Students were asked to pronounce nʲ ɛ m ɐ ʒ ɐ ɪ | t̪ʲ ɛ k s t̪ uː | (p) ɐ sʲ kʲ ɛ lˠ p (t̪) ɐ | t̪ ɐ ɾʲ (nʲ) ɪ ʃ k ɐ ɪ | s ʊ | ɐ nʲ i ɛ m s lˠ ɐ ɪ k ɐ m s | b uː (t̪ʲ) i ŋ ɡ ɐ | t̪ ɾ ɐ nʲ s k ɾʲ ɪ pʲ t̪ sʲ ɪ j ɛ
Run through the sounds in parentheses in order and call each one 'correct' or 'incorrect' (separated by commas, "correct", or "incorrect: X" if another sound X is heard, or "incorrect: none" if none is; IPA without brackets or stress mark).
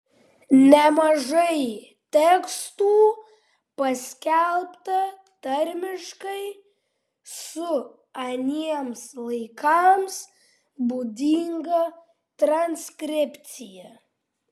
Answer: correct, correct, incorrect: mʲ, incorrect: d̪ʲ